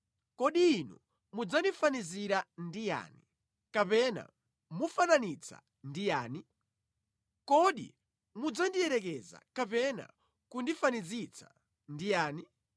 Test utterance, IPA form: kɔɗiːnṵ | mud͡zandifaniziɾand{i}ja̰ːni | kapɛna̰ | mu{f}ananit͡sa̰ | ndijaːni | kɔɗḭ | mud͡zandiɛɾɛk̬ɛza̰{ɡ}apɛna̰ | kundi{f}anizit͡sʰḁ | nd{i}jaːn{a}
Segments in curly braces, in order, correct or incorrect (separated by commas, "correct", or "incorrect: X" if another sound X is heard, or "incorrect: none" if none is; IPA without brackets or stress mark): correct, correct, incorrect: k, correct, correct, incorrect: i